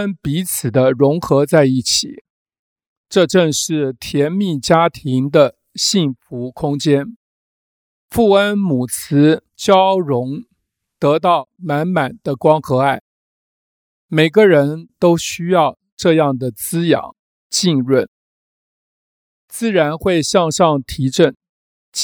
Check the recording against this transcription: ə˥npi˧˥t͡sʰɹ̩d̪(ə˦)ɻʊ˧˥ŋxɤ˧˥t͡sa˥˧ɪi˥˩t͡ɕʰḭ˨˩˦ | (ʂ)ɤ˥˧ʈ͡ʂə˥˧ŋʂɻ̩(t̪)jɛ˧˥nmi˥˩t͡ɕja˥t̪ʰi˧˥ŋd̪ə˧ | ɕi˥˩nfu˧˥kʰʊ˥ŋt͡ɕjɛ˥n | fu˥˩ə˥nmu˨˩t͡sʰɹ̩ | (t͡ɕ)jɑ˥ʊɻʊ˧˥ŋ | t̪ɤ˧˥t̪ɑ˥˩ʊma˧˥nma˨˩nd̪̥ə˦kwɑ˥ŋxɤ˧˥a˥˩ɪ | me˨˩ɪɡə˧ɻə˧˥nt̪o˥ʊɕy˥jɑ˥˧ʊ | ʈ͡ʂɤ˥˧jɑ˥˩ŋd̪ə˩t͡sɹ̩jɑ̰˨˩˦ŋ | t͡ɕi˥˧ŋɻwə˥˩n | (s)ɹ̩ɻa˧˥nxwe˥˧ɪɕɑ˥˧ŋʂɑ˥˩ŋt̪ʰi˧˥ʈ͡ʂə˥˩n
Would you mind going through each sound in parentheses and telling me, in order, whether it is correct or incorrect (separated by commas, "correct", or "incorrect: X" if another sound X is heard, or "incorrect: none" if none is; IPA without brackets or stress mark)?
correct, incorrect: ʈ͡ʂ, incorrect: t̪ʰ, correct, incorrect: t͡s